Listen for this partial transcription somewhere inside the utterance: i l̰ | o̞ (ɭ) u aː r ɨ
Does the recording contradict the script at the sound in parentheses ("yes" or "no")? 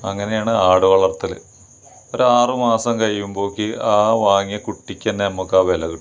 yes